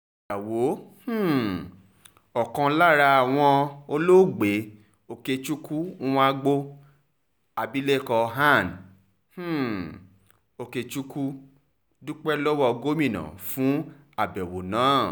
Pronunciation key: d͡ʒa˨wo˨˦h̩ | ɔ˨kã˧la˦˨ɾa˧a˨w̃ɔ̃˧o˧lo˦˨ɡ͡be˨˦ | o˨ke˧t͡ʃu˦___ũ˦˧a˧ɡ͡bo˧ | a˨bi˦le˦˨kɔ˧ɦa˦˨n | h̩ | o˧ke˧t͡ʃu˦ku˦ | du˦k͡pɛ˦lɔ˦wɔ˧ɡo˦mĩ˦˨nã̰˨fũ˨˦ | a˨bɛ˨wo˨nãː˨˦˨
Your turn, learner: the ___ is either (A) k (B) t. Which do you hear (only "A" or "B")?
A